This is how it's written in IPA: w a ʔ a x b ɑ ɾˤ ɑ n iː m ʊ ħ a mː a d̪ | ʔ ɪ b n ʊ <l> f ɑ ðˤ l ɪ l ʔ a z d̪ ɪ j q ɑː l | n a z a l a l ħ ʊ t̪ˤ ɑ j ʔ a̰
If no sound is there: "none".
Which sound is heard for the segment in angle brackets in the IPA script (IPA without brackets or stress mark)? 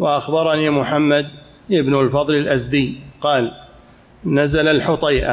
l